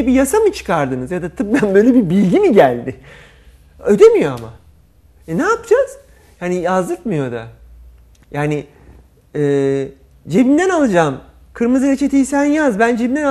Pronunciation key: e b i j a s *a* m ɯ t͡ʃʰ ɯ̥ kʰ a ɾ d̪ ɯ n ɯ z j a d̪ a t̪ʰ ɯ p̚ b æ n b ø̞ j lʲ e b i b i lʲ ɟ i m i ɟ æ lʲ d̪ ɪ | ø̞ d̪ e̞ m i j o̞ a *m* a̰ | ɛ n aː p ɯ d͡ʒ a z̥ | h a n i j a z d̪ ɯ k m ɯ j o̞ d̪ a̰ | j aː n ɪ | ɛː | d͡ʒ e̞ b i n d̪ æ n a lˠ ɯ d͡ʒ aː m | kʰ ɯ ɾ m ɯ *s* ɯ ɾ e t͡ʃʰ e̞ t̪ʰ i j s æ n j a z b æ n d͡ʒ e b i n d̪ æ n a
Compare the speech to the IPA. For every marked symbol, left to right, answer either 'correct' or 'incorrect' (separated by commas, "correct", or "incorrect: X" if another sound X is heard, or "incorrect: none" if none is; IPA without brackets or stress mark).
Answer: correct, correct, incorrect: z